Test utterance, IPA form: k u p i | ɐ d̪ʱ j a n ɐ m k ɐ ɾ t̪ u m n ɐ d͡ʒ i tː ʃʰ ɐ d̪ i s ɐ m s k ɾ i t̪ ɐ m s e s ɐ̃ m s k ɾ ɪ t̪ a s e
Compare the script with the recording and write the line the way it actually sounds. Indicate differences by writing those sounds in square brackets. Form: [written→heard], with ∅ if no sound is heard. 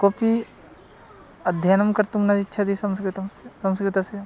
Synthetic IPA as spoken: k [u→o] p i | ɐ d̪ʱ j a n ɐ m k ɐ ɾ t̪ u m n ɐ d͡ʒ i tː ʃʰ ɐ d̪ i s ɐ m s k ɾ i t̪ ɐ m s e s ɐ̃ m s k ɾ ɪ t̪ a s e